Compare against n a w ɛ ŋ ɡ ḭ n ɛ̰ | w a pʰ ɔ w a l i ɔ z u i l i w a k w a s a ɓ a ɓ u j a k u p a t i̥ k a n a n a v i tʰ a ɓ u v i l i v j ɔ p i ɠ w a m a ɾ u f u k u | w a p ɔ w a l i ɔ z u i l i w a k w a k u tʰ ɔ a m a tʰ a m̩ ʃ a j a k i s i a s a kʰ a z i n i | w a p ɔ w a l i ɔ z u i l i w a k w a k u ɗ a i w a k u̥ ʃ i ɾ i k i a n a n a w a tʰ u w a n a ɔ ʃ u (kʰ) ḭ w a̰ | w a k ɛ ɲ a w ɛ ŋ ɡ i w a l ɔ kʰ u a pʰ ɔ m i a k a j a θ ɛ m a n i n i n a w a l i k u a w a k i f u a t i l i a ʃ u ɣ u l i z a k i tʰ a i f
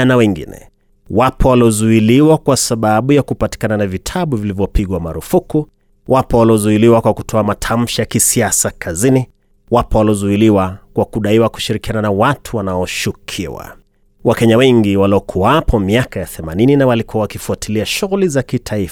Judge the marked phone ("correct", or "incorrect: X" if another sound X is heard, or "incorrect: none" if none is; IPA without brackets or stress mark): correct